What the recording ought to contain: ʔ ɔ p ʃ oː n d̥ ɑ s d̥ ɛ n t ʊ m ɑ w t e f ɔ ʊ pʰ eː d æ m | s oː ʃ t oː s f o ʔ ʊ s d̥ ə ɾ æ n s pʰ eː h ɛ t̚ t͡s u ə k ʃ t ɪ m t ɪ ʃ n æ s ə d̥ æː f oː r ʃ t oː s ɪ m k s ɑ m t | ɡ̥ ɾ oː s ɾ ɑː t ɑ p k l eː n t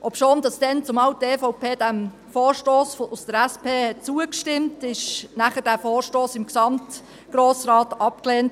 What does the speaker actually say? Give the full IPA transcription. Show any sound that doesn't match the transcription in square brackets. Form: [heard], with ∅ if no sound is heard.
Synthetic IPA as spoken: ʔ ɔ p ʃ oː n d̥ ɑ s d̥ ɛ n [t͡s] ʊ m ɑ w t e f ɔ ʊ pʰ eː d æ m | [f] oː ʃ t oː s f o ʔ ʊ s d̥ ə ɾ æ [∅] s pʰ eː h ɛ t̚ t͡s u ə k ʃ t ɪ m t ɪ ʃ n æ [χ] ə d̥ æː f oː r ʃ t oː s ɪ m k s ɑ m t | ɡ̥ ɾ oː s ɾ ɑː t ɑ p k l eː n t